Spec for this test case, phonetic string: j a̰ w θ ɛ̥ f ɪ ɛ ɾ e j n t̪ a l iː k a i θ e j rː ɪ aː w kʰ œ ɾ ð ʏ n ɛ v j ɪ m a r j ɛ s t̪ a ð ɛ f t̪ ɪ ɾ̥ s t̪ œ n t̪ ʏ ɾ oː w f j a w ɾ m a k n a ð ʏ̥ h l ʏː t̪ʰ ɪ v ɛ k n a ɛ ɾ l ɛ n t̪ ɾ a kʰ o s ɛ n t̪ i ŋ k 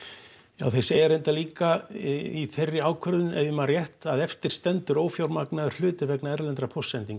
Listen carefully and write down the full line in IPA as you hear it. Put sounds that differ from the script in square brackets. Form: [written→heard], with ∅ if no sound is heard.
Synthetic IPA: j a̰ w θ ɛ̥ [f→s] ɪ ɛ ɾ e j n t̪ a l iː k a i θ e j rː ɪ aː w kʰ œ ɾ ð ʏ n ɛ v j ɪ m a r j ɛ [s→h] t̪ a ð ɛ f t̪ ɪ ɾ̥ s t̪ [œ→ɛ] n t̪ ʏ ɾ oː w f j a w ɾ m a k n a ð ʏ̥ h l ʏː [t̪ʰ→t̪] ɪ v ɛ k n a ɛ ɾ l ɛ n t̪ ɾ a [kʰ→pʰ] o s ɛ n t̪ i ŋ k